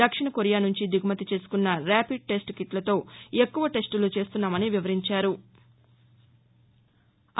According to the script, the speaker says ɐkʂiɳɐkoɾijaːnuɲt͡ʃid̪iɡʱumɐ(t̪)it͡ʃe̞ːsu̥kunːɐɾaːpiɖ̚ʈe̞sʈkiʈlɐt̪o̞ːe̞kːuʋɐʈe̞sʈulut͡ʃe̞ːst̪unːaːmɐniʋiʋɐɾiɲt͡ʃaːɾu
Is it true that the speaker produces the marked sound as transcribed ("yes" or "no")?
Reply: yes